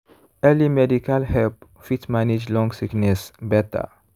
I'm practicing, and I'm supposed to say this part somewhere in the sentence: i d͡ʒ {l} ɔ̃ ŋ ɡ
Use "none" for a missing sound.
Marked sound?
l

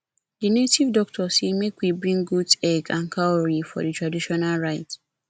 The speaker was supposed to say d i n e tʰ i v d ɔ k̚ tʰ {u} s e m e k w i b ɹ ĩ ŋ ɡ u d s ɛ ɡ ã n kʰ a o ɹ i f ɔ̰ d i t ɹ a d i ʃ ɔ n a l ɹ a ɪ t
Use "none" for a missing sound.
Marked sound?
ɔ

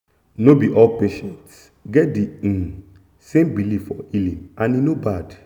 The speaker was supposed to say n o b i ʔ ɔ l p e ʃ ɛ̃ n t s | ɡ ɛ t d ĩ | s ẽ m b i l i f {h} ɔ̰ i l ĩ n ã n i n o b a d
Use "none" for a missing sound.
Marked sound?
f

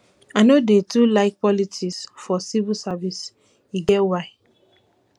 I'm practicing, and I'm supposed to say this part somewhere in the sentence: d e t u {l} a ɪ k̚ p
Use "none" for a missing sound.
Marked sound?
l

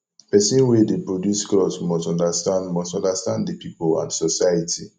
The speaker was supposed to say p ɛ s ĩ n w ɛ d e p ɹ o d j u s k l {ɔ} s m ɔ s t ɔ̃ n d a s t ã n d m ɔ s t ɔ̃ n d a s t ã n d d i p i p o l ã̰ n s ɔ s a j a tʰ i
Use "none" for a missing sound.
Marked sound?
ɔ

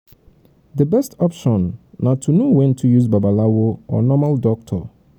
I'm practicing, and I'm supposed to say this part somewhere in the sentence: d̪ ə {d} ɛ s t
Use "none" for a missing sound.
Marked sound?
b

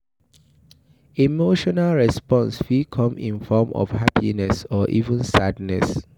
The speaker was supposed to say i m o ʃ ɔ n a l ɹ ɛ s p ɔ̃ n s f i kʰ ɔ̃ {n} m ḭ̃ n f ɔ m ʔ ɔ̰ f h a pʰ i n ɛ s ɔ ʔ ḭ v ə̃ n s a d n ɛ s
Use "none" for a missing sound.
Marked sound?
none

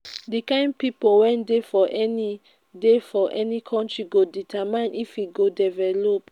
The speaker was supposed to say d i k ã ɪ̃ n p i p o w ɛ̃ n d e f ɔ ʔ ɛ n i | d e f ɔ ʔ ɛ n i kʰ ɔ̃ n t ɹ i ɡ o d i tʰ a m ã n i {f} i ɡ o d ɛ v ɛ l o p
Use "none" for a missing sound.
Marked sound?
f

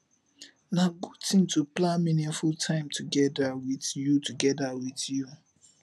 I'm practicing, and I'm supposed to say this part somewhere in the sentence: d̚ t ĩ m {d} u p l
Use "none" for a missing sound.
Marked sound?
t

